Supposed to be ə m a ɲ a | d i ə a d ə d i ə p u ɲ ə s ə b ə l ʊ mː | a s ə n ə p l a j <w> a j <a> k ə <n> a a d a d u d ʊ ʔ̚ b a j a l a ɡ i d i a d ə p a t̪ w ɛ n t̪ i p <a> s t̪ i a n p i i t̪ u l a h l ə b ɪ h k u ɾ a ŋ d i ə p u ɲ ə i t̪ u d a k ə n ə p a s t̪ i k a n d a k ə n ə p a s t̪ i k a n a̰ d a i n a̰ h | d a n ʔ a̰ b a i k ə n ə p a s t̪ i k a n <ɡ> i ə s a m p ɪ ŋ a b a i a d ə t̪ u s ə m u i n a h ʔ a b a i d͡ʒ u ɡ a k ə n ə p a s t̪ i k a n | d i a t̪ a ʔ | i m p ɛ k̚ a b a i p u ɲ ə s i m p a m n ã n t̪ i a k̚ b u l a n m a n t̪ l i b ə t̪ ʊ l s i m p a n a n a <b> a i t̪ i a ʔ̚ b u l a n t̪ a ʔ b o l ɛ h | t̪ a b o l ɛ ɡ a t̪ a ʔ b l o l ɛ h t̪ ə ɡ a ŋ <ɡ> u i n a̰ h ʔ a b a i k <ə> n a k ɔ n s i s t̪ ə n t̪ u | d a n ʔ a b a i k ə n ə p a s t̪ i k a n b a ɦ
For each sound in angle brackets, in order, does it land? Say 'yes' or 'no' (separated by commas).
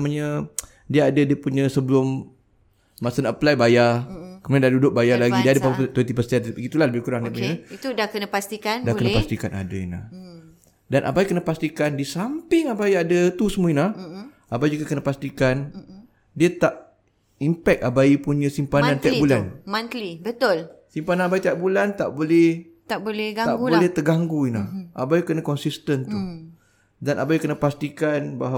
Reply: no, yes, no, no, no, yes, yes, yes